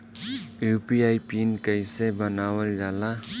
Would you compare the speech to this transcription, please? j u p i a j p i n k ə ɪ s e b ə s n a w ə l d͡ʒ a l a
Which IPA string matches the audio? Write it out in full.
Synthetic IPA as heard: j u p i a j p i n k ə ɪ s e b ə n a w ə l d͡ʒ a l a